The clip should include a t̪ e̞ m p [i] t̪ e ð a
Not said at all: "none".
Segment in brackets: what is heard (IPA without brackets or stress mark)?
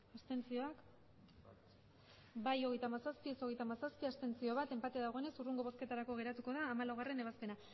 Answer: a